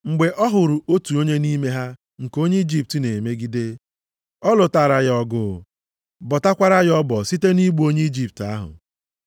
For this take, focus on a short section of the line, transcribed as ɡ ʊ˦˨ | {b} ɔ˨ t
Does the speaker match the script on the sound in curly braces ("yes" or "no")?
yes